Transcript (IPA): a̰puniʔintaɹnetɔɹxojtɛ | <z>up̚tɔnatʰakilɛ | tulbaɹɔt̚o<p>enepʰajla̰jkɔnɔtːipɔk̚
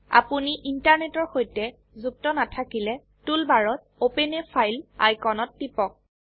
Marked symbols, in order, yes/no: yes, yes

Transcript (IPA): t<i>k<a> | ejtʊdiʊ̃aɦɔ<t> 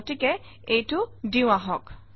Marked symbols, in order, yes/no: yes, no, no

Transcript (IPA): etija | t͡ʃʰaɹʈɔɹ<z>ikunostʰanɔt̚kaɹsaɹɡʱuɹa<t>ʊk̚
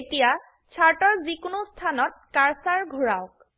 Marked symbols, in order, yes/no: yes, no

